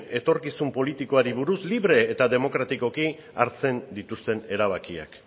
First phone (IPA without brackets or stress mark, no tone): e̞